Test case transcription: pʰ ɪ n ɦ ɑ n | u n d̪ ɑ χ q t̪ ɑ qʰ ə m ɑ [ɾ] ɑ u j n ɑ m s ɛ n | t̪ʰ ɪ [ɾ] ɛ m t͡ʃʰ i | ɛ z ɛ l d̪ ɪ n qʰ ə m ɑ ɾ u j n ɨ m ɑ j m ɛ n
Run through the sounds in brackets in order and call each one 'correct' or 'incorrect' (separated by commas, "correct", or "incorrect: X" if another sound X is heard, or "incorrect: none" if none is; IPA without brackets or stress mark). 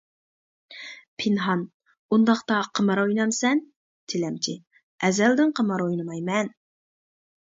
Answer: correct, incorrect: l